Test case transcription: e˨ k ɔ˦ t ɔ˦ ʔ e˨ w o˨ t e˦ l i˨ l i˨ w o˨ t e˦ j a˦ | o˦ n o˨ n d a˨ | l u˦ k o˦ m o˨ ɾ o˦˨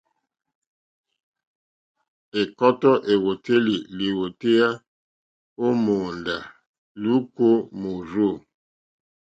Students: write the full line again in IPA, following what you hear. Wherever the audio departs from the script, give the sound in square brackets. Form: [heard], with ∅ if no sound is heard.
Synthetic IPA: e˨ k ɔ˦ t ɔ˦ ʔ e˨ w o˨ t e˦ l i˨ l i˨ w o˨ t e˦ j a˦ | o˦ [m] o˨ n d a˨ | l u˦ k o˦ m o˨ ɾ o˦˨